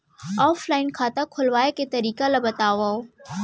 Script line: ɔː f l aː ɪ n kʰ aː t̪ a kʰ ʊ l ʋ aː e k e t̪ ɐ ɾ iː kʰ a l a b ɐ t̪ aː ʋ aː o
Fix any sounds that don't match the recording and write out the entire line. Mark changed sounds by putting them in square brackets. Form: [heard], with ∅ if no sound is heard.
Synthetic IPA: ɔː f l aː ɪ n kʰ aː t̪ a kʰ ʊ l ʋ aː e k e t̪ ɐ ɾ iː [k] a l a b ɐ t̪ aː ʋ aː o